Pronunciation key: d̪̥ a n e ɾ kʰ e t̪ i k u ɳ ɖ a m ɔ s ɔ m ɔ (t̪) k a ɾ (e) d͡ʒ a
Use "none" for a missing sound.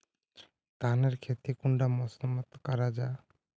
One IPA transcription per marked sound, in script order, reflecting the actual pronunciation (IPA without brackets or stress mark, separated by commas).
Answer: t̪, a